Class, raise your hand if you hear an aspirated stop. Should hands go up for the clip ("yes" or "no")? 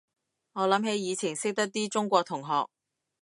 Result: yes